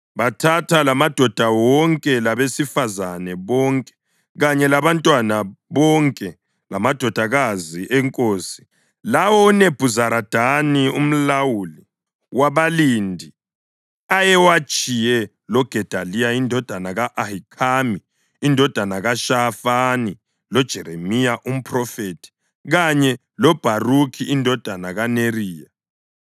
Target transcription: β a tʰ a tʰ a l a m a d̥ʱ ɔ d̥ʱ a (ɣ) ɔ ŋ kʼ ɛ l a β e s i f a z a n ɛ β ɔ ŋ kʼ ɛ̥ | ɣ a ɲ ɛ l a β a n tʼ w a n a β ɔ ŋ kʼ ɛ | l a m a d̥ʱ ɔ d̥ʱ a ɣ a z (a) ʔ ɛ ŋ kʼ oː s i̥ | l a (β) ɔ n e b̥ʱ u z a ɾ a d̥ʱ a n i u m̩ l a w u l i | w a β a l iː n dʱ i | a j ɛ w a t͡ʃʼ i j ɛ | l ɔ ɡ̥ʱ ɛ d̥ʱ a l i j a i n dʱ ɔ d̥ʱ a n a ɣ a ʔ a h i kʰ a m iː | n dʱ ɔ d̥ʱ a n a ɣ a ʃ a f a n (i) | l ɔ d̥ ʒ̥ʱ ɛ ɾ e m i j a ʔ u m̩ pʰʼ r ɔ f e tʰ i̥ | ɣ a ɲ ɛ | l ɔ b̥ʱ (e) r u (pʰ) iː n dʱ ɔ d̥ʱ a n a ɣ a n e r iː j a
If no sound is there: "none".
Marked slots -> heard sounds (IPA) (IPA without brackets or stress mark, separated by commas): w, i, w, i, a, kʰ